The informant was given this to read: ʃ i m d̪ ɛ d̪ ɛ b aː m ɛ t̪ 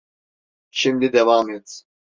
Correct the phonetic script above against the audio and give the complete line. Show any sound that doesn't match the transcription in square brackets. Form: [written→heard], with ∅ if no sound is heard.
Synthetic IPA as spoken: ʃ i m d̪ [ɛ→i] d̪ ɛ [b→v] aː m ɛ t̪